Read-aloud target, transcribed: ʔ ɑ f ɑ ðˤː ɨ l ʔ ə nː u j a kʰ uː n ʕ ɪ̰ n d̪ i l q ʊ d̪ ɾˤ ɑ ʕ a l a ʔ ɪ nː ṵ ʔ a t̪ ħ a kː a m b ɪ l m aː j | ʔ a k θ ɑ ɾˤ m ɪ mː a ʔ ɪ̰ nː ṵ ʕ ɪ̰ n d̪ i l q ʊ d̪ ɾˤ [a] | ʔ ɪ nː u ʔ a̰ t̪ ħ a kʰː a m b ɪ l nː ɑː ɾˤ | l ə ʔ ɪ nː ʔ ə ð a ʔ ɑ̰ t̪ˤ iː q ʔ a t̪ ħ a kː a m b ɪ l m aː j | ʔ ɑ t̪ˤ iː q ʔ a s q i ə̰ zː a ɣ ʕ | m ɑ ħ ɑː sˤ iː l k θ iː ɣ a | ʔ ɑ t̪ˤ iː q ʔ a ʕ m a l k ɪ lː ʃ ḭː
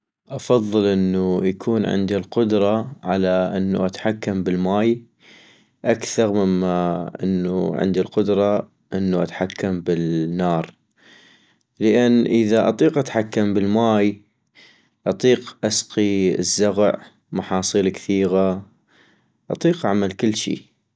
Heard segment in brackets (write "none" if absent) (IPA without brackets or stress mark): ɑ